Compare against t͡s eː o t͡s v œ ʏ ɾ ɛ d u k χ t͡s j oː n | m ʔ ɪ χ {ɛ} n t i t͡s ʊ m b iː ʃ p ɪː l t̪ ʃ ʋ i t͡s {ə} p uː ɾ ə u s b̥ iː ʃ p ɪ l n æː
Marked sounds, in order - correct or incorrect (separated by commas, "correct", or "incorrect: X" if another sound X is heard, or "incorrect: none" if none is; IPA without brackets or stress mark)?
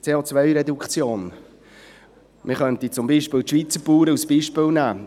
incorrect: œ, correct